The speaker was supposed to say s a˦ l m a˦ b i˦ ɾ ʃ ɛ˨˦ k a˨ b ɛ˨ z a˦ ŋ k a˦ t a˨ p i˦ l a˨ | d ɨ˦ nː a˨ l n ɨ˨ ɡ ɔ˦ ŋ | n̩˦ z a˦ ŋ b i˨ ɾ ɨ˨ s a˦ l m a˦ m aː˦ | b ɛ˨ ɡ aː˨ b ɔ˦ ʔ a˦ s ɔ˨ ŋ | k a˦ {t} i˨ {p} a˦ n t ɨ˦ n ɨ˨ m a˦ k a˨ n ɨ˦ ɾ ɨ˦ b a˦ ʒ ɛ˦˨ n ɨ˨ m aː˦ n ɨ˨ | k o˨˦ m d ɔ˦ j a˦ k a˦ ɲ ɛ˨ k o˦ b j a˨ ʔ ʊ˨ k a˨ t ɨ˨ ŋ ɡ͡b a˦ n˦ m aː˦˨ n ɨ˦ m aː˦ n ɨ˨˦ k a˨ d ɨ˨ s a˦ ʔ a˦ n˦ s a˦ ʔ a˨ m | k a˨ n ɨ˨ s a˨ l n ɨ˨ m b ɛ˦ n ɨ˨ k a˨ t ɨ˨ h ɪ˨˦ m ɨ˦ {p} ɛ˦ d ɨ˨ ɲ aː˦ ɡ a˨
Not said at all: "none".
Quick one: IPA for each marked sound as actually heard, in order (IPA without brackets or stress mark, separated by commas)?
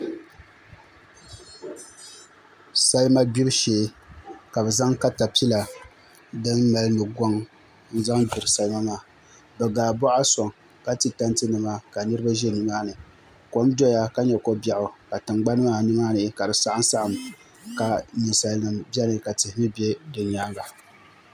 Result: t, t, b